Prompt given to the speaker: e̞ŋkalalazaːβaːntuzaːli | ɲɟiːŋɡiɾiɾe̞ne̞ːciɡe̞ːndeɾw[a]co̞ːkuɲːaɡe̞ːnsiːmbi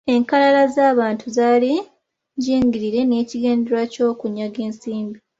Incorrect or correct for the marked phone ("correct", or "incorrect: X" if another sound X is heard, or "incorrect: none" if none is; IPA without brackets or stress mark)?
correct